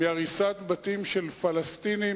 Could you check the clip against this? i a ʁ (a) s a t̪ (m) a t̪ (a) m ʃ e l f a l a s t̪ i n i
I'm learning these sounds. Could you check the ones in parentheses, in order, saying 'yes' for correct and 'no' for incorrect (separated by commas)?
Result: no, no, no